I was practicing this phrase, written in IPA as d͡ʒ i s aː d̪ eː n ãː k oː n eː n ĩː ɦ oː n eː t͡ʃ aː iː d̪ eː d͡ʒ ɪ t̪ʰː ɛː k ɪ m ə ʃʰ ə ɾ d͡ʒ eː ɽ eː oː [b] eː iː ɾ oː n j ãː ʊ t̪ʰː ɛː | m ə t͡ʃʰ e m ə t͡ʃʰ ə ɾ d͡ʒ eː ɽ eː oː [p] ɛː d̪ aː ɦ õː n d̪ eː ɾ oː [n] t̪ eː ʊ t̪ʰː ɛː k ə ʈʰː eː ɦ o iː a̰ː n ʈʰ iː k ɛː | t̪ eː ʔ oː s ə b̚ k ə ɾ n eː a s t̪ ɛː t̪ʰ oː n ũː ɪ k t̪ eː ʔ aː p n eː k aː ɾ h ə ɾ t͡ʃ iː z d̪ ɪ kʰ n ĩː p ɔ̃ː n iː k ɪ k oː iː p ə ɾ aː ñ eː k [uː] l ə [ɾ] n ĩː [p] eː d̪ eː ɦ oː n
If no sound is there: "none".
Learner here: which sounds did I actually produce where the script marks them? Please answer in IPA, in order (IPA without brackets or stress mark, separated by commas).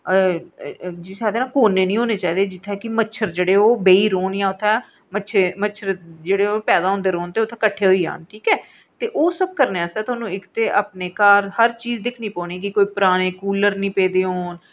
b, p, n, uː, ɾ, p